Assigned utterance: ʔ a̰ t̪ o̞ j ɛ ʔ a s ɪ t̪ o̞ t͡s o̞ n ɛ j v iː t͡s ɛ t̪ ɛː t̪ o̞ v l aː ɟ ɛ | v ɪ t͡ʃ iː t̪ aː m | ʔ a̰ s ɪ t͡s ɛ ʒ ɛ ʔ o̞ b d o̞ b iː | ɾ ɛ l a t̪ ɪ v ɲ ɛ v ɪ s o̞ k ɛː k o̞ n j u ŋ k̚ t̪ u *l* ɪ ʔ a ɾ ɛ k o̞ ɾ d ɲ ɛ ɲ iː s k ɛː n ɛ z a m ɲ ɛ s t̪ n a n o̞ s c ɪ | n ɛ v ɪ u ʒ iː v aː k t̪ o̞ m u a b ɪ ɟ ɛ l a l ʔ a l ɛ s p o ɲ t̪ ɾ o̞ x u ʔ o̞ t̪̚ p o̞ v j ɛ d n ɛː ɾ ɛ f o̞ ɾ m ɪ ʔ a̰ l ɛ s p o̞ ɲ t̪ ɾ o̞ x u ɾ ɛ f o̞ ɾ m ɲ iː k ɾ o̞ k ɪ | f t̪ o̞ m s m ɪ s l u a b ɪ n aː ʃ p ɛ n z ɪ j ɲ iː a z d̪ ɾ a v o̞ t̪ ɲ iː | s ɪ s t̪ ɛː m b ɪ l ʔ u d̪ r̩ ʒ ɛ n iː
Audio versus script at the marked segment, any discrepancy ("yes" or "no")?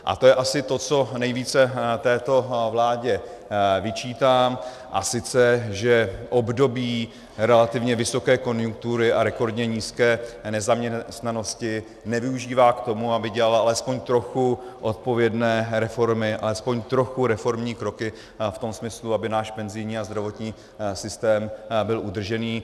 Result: yes